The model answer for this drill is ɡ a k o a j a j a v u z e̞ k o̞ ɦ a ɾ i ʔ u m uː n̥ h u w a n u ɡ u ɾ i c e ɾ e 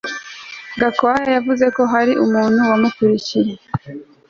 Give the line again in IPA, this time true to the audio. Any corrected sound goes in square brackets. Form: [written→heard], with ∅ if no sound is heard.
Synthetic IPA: ɡ a k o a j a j a v u z e̞ k o̞ ɦ a ɾ i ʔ u m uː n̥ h u w a [n→m] u [ɡ→k] u ɾ i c [e→i] ɾ e